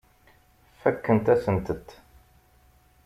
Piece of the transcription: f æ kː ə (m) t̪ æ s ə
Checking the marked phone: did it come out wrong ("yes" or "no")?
yes